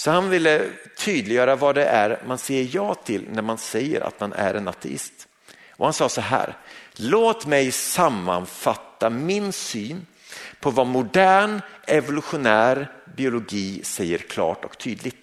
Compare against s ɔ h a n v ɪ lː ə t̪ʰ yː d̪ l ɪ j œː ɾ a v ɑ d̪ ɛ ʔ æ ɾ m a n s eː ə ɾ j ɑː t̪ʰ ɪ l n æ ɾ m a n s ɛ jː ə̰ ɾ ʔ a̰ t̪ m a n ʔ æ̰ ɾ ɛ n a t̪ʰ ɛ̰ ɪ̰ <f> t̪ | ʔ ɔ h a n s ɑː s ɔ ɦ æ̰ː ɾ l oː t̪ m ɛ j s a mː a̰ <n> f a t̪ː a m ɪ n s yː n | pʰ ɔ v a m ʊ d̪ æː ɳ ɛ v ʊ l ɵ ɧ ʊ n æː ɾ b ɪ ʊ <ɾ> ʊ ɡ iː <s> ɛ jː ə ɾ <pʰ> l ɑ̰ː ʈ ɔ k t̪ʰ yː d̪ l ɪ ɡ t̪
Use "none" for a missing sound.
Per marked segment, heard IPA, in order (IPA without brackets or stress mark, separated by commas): s, n, l, s, kʰ